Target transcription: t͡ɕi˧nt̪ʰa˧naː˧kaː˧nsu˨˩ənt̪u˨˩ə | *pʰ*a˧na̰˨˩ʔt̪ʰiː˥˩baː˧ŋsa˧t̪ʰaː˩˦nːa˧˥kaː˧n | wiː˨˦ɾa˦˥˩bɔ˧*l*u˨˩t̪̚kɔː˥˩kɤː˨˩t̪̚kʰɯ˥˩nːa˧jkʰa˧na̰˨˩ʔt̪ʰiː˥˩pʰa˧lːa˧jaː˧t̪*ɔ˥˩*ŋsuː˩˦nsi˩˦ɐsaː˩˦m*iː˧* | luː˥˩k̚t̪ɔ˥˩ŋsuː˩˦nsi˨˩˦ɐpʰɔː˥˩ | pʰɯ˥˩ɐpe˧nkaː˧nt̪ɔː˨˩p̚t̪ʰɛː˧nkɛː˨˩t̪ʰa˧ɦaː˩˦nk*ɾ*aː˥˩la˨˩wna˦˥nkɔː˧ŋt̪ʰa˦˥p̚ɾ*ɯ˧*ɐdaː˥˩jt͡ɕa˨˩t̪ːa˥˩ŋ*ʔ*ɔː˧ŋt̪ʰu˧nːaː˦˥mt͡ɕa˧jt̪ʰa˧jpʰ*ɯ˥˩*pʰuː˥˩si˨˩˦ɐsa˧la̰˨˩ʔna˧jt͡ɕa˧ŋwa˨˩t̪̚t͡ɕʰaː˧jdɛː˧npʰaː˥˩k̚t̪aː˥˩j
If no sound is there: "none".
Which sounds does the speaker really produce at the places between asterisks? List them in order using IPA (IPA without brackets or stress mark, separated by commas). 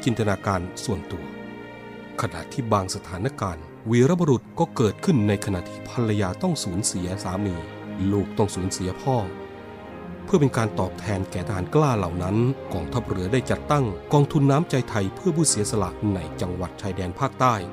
kʰ, ɾ, ɔ˥˩, iː˧, l, ɯ˩˦, k, ɯ˥˩